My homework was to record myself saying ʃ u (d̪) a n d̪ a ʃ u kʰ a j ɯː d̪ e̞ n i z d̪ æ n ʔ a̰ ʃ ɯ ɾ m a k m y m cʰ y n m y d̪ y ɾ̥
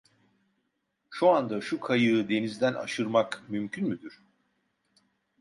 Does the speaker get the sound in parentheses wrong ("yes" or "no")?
yes